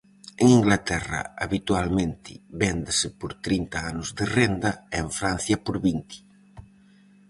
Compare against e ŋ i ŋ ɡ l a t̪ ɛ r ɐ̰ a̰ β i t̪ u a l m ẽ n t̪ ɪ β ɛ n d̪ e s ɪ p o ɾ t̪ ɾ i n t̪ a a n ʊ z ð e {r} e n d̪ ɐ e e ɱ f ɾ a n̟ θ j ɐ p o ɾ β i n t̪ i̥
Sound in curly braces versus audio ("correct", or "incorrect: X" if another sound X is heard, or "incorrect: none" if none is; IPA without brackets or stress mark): correct